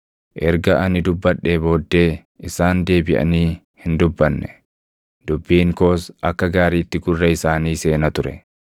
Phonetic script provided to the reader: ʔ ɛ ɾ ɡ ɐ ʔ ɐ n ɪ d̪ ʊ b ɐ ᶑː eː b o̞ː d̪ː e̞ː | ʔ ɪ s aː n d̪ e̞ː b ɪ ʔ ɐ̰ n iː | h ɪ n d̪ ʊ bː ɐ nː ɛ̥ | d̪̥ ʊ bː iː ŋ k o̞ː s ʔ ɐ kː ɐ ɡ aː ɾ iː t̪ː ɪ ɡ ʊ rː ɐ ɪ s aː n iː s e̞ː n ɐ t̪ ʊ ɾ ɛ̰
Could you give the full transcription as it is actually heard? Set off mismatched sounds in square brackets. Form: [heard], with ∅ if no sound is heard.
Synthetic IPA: ʔ ɛ ɾ ɡ ɐ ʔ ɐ n ɪ d̪ ʊ [bː] ɐ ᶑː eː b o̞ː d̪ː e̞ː | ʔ ɪ s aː n d̪ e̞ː b ɪ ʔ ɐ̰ n iː | h ɪ n d̪ ʊ bː ɐ nː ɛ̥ | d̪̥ ʊ bː iː ŋ k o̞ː s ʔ ɐ kː ɐ ɡ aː ɾ iː t̪ː ɪ ɡ ʊ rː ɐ ɪ s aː n iː s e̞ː n ɐ t̪ ʊ ɾ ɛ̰

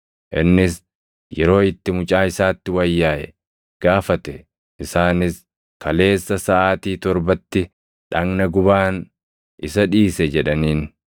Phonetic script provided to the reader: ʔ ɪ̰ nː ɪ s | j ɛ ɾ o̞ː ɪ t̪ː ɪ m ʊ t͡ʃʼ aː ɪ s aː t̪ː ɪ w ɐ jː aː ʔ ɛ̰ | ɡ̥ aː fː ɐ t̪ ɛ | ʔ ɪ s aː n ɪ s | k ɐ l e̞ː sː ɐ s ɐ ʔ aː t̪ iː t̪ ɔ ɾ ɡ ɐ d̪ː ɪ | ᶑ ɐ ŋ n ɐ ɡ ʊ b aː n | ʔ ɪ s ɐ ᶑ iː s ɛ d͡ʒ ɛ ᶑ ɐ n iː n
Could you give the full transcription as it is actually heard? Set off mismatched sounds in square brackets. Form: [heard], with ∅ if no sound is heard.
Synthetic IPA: ʔ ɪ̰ nː ɪ s | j ɛ ɾ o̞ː ɪ t̪ː ɪ m ʊ t͡ʃʼ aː ɪ s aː t̪ː ɪ w ɐ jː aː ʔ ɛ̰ | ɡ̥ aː [f] ɐ t̪ ɛ | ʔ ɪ s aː n ɪ s | k ɐ l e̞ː sː ɐ s ɐ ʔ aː t̪ iː t̪ ɔ ɾ [b] ɐ [t̪ː] ɪ | ᶑ ɐ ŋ n ɐ ɡ ʊ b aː n | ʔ ɪ s ɐ ᶑ iː s ɛ d͡ʒ ɛ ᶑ ɐ n iː n

